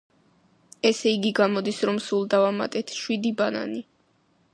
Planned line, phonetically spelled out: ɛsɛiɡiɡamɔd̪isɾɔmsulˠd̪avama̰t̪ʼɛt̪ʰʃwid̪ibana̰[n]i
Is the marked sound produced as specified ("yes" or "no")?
yes